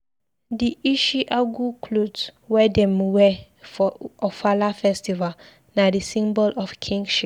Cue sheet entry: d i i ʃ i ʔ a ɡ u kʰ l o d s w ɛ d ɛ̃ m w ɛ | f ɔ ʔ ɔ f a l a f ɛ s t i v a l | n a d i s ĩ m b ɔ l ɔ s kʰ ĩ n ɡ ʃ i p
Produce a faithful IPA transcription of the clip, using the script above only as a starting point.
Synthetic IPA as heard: d i i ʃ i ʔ a ɡ u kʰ l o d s w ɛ d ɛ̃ m w ɛ | f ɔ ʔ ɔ f a l a f ɛ s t i v a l | n a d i s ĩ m b ɔ l ɔ f kʰ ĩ ŋ ɡ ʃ i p